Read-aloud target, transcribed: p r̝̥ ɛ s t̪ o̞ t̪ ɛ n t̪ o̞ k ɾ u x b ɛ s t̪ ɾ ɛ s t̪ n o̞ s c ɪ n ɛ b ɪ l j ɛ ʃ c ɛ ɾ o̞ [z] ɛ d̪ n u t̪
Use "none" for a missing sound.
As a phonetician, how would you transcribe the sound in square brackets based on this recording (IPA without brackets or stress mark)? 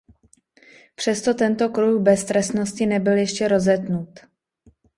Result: z